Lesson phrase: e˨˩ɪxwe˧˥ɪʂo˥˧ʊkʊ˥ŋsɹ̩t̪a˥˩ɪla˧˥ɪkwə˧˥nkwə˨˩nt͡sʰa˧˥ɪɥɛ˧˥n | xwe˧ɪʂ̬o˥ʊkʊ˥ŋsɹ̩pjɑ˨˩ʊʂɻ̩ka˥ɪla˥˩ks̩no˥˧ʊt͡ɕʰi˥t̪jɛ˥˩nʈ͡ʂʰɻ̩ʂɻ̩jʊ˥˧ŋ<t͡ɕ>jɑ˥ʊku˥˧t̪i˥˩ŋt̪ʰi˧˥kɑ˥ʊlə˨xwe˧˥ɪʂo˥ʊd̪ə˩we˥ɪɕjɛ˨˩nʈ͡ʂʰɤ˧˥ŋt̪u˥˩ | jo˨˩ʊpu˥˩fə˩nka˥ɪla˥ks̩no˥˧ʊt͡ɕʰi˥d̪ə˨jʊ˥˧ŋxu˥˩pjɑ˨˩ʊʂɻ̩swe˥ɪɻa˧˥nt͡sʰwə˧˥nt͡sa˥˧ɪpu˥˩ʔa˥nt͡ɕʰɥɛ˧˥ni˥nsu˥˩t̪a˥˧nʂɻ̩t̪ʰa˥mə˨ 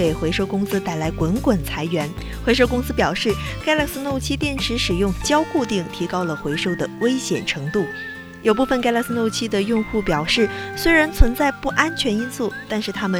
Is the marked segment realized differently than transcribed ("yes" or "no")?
no